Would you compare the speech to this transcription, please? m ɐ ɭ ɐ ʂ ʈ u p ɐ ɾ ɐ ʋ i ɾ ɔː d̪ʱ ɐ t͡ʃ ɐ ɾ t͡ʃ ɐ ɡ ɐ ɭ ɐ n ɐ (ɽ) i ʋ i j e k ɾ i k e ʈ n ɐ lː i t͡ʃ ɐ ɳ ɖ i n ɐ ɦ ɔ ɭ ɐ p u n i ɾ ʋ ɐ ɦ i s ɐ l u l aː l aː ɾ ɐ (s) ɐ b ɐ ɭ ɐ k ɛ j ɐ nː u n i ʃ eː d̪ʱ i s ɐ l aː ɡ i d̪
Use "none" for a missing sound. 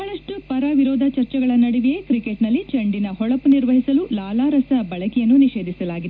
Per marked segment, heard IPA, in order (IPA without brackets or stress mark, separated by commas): ɽ, s